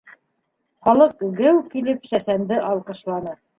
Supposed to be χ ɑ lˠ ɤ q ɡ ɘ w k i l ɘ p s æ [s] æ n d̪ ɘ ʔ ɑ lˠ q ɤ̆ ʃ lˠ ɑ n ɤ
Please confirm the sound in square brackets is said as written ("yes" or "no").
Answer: yes